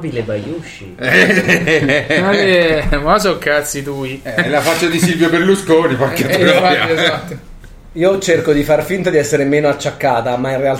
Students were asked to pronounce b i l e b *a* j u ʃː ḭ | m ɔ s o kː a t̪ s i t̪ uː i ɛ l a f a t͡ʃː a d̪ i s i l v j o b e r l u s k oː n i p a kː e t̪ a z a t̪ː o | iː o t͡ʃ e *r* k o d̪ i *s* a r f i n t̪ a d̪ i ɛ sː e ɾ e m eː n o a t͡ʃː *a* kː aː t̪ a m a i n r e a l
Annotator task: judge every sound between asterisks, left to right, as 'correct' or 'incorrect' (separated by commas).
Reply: correct, correct, incorrect, correct